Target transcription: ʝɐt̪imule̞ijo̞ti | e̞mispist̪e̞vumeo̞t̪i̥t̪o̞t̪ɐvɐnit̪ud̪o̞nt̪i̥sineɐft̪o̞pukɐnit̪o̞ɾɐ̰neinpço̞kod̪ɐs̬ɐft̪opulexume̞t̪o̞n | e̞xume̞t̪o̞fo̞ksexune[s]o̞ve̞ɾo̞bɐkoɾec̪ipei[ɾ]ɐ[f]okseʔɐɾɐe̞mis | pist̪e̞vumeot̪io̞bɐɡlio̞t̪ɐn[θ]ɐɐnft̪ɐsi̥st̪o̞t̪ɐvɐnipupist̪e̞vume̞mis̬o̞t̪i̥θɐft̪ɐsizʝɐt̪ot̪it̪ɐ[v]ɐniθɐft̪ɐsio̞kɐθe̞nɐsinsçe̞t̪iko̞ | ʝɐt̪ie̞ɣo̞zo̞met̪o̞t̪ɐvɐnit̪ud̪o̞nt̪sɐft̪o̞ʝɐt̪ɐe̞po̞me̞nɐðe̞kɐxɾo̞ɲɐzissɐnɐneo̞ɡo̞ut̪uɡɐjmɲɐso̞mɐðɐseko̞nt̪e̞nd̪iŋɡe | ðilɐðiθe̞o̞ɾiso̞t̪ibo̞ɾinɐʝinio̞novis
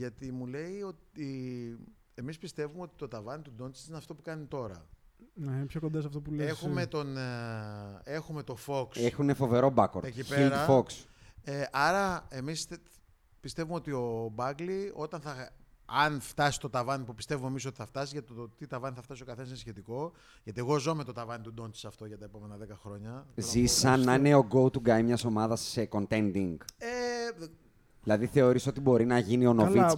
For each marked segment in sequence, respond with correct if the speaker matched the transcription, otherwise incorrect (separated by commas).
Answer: incorrect, correct, correct, correct, correct